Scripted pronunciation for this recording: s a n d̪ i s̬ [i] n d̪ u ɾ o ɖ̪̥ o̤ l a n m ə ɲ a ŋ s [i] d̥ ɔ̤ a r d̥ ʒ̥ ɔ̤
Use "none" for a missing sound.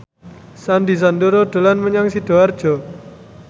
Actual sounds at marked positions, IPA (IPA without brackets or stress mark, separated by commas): a, i